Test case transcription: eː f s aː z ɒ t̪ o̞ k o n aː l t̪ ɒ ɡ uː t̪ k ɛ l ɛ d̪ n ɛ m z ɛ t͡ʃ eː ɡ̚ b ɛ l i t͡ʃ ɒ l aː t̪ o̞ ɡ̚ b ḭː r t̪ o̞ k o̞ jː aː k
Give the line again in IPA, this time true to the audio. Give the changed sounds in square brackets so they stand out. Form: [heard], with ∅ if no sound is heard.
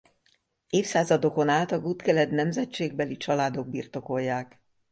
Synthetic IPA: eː f s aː z ɒ [d̪] o̞ k o n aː l t̪ ɒ ɡ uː t̪ k ɛ l ɛ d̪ n ɛ m z ɛ t͡ʃ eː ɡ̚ b ɛ l i t͡ʃ ɒ l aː [d̪] o̞ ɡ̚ b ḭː r t̪ o̞ k o̞ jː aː k